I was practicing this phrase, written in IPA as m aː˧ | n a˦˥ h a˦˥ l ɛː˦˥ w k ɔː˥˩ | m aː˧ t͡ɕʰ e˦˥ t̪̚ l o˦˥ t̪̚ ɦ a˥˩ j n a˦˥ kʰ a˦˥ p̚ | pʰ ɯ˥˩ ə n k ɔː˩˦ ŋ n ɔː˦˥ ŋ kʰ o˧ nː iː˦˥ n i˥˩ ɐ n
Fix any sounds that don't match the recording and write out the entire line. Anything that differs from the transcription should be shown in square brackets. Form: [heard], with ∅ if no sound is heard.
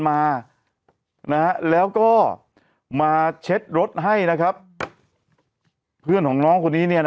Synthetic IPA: m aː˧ | n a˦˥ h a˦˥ l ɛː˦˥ w k ɔː˥˩ | m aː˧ t͡ɕʰ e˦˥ t̪̚ [ɾ] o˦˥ t̪̚ ɦ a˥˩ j n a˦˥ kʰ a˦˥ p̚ | pʰ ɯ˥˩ ə n k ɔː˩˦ ŋ n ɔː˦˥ ŋ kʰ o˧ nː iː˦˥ n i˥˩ ɐ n